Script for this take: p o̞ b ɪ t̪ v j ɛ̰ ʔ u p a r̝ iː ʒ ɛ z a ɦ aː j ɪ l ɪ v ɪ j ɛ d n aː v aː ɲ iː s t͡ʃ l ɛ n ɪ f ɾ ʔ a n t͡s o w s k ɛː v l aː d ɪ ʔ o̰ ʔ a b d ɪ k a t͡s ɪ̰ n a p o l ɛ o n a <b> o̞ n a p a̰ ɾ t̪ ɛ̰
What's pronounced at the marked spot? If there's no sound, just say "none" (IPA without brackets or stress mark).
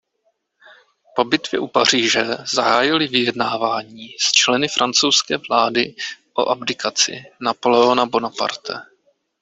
b